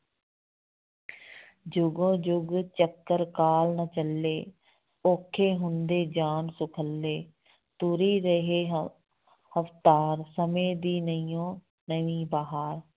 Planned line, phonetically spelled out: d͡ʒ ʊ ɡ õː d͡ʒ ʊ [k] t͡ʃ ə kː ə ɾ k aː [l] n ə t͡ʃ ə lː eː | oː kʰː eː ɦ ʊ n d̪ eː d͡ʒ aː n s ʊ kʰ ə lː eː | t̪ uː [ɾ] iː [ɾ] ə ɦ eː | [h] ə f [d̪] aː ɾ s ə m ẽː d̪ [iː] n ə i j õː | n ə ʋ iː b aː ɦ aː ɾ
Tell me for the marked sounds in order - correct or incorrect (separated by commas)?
incorrect, correct, correct, correct, correct, incorrect, correct